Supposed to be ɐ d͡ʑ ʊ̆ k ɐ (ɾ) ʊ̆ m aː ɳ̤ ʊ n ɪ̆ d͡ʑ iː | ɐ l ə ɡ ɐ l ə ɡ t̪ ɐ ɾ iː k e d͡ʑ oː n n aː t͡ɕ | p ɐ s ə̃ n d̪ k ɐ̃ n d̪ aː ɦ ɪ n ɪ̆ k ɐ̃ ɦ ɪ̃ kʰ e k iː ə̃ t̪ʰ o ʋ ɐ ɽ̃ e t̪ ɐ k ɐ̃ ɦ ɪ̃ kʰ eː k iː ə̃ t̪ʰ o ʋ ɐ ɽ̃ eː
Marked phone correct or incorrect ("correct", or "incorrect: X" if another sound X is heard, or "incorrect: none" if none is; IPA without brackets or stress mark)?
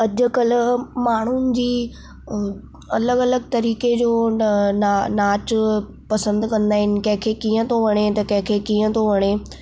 incorrect: l